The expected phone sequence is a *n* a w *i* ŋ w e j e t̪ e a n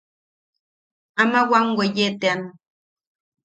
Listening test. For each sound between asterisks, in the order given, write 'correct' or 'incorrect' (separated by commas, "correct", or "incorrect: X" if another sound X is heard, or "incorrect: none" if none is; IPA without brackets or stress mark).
incorrect: m, incorrect: a